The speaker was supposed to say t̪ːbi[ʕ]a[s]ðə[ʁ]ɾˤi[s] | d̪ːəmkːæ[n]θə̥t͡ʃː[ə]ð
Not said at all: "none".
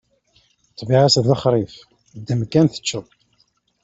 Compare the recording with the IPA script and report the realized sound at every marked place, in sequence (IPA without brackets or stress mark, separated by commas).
ʕ, s, χ, f, n, ə